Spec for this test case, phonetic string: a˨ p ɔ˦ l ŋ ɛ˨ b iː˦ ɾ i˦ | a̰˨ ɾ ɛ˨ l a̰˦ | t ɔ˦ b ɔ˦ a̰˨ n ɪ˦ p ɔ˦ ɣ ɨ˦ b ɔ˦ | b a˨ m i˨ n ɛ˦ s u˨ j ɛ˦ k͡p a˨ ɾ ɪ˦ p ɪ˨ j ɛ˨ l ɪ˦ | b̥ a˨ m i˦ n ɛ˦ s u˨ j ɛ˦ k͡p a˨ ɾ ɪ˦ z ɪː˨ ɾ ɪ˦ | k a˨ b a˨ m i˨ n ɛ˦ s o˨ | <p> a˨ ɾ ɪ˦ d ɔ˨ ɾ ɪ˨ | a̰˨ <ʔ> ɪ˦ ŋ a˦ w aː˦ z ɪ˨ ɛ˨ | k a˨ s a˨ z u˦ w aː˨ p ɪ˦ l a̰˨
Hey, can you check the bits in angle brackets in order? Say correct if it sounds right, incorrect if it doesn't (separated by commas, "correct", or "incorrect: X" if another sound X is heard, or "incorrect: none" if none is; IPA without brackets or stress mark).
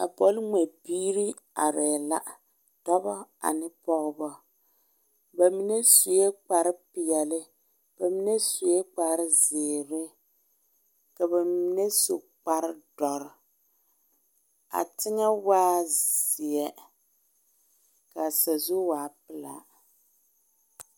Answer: incorrect: k͡p, incorrect: t